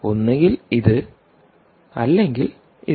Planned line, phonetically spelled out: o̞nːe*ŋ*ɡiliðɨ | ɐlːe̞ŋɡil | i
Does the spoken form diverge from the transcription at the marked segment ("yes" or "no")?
no